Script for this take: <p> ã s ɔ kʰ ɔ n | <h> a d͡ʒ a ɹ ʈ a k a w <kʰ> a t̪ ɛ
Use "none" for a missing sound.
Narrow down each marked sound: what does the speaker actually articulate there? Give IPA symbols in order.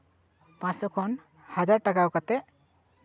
p, h, k

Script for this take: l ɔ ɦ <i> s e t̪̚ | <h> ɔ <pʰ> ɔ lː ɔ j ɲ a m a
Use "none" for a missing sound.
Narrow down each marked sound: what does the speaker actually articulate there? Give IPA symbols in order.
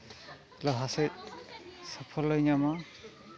a, s, pʰ

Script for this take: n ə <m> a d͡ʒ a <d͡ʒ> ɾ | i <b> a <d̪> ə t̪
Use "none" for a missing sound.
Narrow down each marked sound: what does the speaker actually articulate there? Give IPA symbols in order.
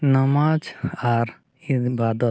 m, none, b, d̪

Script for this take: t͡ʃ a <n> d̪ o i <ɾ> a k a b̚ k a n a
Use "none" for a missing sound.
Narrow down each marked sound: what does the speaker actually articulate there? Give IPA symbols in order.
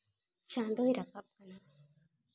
n, ɾ

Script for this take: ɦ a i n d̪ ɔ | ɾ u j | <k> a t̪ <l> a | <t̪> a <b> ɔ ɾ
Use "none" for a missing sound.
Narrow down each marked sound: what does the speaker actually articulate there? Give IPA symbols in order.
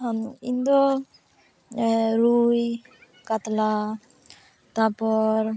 k, l, t̪, p

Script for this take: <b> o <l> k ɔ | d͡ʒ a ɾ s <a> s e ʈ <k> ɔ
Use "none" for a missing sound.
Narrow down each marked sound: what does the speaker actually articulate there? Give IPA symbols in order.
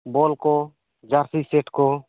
b, l, i, k

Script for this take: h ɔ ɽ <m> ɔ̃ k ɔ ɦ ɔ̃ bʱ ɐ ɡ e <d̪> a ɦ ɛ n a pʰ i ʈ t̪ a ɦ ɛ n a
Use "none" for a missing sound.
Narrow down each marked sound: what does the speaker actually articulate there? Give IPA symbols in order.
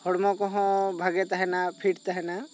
m, t̪

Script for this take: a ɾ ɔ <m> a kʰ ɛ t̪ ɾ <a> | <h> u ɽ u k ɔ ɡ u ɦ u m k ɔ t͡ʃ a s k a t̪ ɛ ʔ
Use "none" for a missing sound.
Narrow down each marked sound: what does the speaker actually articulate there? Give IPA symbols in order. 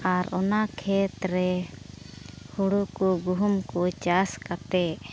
n, ɛ, h

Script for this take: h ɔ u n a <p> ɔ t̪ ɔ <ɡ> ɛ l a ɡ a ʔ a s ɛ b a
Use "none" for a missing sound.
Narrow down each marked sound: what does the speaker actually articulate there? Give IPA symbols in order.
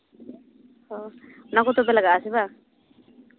k, b

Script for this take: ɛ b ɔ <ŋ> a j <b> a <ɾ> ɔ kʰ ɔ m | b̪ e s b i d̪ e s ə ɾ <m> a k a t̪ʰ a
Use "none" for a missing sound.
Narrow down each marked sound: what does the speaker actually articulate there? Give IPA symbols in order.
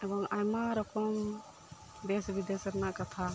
ŋ, m, ɾ, n

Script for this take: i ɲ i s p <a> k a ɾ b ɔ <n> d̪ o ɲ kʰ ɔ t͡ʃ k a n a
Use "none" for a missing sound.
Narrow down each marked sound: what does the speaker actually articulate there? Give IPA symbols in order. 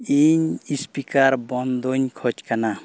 i, n

